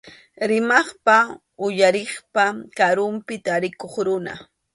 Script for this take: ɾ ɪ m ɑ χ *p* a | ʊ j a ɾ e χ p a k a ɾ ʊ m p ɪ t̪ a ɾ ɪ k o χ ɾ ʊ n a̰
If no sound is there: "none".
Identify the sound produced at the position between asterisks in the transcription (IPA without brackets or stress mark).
p